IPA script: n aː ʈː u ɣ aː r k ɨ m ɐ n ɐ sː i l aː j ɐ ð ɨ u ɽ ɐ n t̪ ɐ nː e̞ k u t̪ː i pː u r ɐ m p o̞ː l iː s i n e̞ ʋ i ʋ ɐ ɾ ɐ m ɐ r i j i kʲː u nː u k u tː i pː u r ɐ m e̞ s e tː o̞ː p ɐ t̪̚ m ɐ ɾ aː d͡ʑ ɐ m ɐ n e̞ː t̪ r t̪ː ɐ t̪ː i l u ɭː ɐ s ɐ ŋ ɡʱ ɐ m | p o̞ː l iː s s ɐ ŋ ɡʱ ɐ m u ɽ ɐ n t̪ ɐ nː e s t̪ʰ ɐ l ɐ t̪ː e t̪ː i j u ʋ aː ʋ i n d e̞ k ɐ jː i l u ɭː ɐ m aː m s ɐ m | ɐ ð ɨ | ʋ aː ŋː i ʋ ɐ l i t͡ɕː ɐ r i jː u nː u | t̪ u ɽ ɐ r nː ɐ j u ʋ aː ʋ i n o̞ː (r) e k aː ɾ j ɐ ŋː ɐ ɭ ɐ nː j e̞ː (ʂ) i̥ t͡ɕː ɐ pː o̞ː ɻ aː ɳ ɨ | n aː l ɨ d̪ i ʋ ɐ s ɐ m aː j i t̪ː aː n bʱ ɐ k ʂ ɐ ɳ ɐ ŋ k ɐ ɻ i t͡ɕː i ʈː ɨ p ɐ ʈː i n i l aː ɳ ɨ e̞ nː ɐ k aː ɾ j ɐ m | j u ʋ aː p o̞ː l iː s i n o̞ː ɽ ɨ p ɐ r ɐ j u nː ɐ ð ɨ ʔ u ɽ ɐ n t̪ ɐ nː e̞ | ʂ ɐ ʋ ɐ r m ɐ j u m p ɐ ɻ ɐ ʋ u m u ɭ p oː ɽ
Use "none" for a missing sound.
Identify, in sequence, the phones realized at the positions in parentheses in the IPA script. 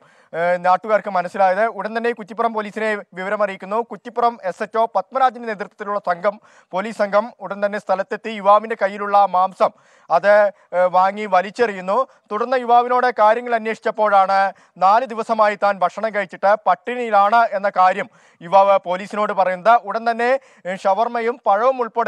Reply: ɽ, ʂ

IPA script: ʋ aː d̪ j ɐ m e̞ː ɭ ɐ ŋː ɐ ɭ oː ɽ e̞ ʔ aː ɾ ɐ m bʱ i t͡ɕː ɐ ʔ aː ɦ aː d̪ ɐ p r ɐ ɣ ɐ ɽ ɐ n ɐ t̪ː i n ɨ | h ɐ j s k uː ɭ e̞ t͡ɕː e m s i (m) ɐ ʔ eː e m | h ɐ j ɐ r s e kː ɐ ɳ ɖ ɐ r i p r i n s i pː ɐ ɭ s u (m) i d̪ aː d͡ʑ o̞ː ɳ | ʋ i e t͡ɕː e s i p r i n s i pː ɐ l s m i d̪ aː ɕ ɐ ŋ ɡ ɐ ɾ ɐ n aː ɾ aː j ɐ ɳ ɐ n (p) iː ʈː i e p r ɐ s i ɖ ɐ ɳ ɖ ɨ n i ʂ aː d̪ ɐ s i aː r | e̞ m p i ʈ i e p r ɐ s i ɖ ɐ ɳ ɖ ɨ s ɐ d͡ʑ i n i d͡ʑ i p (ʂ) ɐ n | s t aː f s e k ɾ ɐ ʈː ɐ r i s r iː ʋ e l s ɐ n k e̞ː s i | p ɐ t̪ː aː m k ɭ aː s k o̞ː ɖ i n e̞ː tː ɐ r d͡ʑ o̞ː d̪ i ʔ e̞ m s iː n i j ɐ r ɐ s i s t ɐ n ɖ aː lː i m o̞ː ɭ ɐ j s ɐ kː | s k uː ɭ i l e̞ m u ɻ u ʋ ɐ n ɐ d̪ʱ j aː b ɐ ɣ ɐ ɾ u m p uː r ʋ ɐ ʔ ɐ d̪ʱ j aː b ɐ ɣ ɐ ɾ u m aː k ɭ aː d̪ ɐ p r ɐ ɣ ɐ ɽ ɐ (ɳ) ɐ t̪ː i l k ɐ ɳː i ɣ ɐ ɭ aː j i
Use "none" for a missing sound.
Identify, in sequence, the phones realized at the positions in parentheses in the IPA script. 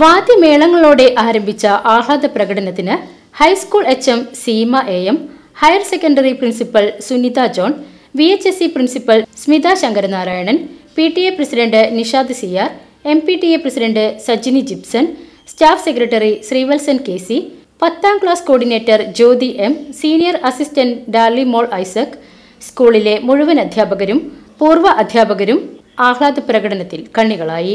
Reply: m, n, p, s, n

